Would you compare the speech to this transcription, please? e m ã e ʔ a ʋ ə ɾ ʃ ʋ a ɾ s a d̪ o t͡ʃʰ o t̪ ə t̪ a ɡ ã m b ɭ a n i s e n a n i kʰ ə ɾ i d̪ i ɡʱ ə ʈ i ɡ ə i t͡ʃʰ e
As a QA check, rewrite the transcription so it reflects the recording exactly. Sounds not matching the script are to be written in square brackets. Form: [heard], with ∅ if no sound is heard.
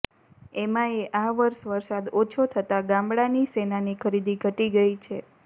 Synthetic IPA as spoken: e m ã e ʔ a ʋ ə ɾ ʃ ʋ [ə] ɾ s a d̪ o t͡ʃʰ o [t̪ʰ] ə t̪ a ɡ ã m b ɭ a n i s e n a n i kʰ ə ɾ i d̪ i ɡʱ ə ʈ i ɡ ə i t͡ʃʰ e